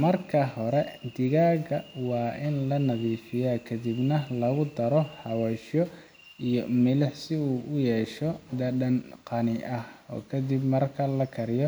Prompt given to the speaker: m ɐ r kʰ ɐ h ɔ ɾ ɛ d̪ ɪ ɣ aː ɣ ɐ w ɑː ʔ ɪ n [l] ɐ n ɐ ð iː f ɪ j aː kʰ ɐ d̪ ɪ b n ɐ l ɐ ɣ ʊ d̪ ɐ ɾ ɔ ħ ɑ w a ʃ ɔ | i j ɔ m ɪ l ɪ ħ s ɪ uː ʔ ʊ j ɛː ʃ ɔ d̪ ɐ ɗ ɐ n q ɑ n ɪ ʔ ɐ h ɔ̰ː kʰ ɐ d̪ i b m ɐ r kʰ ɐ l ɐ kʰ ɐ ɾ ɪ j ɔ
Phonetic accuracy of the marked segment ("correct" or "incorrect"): correct